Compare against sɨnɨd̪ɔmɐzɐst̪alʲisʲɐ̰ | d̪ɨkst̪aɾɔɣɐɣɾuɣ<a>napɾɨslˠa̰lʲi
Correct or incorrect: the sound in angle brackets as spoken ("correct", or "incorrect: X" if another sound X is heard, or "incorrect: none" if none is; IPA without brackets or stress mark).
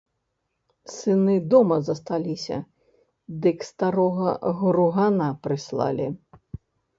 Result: correct